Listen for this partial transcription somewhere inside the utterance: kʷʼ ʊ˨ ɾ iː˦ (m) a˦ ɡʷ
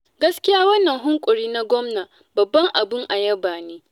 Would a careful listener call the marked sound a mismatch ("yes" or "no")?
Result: yes